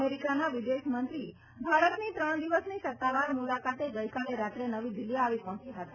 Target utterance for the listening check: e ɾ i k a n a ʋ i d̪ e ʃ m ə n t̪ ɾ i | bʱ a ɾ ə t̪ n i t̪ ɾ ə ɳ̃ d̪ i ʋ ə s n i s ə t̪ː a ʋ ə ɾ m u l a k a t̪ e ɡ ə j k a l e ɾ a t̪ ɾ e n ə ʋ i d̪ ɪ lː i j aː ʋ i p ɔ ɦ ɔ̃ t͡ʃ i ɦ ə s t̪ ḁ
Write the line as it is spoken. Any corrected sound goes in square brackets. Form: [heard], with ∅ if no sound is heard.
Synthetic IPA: e ɾ i k a n a ʋ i d̪ e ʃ m ə n t̪ ɾ i | bʱ a ɾ ə t̪ n i t̪ ɾ ə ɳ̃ d̪ i ʋ ə s n i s ə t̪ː a ʋ [a] ɾ m u l a k a t̪ e ɡ ə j k a l e ɾ a t̪ ɾ e n ə ʋ i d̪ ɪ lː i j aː ʋ i p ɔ ɦ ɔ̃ t͡ʃ i ɦ ə [∅] t̪ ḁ